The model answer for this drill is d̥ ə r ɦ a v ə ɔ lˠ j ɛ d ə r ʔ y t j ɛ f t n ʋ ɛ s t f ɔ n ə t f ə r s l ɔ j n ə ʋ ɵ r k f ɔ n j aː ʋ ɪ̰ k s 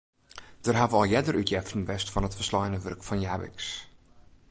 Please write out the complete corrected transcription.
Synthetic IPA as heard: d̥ ə r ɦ a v ə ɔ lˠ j ɛ d ə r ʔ y t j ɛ f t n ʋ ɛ s t f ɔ n ə t f ə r s l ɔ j n ə ʋ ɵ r k f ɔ n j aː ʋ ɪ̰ k s